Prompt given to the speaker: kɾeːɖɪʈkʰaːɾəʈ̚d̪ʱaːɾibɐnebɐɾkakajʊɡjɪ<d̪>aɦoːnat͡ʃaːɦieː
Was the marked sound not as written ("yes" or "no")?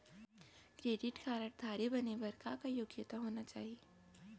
yes